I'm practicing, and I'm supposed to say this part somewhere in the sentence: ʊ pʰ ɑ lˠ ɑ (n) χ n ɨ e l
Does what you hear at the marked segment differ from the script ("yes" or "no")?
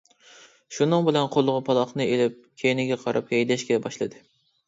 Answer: yes